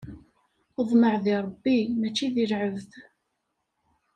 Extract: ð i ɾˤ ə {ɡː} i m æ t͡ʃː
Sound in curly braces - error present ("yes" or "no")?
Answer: yes